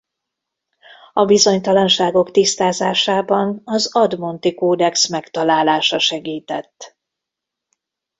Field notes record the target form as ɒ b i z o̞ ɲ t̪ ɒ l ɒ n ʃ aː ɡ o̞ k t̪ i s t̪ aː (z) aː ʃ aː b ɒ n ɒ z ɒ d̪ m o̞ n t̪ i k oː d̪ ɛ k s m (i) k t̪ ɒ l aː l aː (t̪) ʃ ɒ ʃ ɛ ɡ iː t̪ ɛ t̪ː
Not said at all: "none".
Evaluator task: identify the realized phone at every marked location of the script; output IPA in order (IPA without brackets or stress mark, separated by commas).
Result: z, ɛ, none